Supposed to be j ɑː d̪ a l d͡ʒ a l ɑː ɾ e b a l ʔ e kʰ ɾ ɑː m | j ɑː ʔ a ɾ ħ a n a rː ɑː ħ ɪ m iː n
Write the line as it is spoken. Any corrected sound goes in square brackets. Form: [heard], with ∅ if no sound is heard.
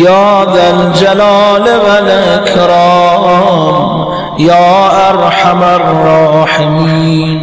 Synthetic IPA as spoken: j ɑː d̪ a l d͡ʒ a l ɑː [l] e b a l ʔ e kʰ ɾ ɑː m | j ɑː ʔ a ɾ ħ a [m] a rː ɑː ħ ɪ m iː n

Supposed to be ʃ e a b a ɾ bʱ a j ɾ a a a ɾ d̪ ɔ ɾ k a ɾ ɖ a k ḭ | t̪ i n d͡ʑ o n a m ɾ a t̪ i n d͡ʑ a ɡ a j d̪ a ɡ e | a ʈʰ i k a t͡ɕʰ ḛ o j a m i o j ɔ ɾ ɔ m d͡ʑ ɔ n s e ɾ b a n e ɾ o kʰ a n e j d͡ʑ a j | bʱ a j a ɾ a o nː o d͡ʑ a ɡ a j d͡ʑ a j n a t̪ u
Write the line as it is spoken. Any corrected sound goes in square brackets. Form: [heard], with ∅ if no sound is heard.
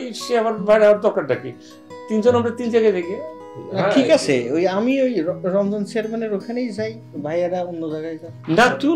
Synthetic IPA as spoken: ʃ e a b a ɾ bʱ a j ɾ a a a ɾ d̪ ɔ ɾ k a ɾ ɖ a k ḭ | t̪ i n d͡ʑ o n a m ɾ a t̪ i n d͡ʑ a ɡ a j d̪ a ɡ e | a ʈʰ i k a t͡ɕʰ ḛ o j a m i o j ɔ ɾ ɔ m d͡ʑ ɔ n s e ɾ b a n e ɾ o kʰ a n e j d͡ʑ a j | bʱ a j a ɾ a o nː o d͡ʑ a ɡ a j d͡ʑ a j n a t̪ u

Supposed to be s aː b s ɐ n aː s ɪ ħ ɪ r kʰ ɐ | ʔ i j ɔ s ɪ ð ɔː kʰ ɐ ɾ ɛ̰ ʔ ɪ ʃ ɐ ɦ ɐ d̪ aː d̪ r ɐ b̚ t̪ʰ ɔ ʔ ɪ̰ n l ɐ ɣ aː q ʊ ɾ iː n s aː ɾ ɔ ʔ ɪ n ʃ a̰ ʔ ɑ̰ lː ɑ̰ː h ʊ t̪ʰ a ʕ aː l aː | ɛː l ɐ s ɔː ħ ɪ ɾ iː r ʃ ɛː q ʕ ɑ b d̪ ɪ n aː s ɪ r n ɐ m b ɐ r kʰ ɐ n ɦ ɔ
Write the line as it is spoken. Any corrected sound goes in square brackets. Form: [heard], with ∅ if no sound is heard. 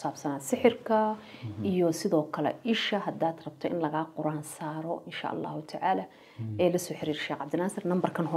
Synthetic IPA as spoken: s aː b s ɐ n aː s ɪ ħ ɪ r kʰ ɐ | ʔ i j ɔ s ɪ ð ɔː kʰ ɐ [l] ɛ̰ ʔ ɪ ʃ ɐ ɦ ɐ d̪ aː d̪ r ɐ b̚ t̪ʰ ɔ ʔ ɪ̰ n l ɐ ɣ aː q ʊ ɾ [aː] n s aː ɾ ɔ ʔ ɪ n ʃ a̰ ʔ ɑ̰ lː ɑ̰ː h ʊ t̪ʰ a ʕ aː l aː | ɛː l ɐ s ɔː ħ ɪ ɾ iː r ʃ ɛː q ʕ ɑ b d̪ ɪ n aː s ɪ r n ɐ m b ɐ r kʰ ɐ n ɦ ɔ

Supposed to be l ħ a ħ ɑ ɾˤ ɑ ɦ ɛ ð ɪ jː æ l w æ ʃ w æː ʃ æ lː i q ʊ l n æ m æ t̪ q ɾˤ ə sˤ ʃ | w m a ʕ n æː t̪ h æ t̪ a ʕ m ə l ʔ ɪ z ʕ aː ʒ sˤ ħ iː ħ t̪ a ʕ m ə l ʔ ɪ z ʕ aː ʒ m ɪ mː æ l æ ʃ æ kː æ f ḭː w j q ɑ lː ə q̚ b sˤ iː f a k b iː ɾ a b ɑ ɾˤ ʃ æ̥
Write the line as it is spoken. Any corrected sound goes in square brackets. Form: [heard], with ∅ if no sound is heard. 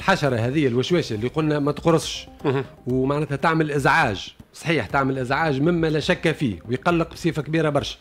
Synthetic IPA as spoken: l ħ a [ʃ] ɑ ɾˤ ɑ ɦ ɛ ð ɪ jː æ l w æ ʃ w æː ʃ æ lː i q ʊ l n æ m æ t̪ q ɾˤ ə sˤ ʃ | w m a ʕ n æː t̪ h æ t̪ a ʕ m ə l ʔ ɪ z ʕ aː ʒ sˤ ħ iː ħ t̪ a ʕ m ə l ʔ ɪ z ʕ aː ʒ m ɪ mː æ l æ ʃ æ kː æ f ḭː w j q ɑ lː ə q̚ b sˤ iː f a k b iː ɾ a b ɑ ɾˤ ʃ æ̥

